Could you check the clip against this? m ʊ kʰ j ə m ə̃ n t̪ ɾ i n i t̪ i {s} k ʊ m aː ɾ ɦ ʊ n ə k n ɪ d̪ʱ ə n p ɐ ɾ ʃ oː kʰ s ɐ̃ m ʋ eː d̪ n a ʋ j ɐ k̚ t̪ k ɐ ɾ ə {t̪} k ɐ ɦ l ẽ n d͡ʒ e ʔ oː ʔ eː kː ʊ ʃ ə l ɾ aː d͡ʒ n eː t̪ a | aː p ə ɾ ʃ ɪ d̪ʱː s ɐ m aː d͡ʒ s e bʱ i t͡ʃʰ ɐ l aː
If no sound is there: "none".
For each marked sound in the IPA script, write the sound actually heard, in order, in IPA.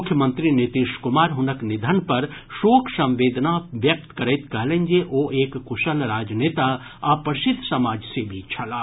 ʃ, t̪

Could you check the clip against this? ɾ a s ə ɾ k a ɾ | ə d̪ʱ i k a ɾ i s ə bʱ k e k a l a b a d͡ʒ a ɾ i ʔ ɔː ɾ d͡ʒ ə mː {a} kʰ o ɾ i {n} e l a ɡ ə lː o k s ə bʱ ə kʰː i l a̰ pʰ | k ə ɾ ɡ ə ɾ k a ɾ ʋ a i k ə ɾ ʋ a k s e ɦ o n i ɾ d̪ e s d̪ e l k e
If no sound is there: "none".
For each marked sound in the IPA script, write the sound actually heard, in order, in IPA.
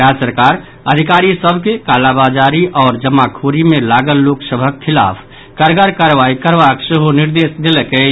a, m

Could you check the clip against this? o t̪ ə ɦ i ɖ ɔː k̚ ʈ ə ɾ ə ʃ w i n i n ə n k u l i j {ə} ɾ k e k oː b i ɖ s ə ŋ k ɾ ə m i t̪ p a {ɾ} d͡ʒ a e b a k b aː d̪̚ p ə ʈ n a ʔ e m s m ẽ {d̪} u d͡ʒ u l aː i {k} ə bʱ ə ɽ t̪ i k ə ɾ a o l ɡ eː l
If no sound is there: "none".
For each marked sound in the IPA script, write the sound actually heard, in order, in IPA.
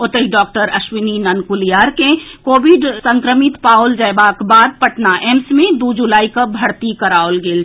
a, l, d̪, k

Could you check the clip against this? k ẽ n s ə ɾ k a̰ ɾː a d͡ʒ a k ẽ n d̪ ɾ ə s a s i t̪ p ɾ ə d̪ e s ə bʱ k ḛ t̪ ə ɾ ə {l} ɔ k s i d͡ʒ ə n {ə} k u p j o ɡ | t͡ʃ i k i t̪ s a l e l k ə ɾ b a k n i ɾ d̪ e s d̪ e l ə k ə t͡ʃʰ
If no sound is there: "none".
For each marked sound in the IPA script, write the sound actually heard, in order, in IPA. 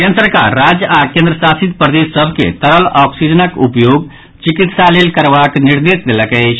l, ə

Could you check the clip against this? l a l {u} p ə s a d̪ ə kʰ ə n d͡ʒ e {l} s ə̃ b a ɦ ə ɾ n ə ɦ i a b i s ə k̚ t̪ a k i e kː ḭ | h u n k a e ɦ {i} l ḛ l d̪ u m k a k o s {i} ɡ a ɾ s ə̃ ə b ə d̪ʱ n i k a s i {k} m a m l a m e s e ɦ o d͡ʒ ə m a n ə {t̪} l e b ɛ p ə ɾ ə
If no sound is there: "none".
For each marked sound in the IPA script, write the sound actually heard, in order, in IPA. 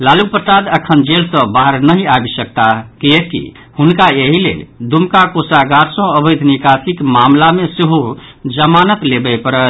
u, l, i, a, k, t̪

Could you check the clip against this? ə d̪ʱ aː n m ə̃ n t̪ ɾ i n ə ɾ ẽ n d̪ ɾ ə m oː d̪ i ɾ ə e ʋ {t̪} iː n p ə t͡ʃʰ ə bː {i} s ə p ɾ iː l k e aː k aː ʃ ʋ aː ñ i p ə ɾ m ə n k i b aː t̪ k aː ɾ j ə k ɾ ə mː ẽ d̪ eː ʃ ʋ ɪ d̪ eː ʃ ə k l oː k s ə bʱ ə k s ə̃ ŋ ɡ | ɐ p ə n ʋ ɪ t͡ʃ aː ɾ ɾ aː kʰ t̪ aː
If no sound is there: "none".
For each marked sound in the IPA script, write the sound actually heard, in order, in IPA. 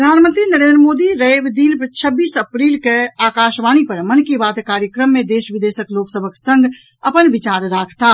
d̪, iː

